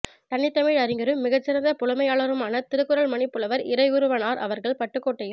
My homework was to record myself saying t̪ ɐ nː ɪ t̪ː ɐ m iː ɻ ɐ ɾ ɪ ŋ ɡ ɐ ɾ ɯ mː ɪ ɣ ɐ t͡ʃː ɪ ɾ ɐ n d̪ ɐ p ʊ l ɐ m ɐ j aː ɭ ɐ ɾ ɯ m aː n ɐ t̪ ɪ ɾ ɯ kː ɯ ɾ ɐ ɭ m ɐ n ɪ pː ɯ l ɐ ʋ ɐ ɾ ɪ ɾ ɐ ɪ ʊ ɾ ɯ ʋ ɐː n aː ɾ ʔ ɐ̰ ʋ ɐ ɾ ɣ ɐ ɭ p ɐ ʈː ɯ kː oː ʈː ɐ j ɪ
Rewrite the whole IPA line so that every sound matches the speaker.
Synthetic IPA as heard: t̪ ɐ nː ɪ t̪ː ɐ m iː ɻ ɐ ɾ ɪ ŋ ɡ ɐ ɾ ɯ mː ɪ ɣ ɐ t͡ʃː ɪ ɾ ɐ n d̪ ɐ p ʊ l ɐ m ɐ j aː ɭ ɐ ɾ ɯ m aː n ɐ t̪ ɪ ɾ ɯ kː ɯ ɾ ɐ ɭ m ɐ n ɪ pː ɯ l ɐ ʋ ɐ ɾ ɪ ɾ ɐ ɪ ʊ ɾ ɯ ʋ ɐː n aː ɾ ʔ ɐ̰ ʋ ɐ ɾ ɣ ɐ ɭ p ɐ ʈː ɯ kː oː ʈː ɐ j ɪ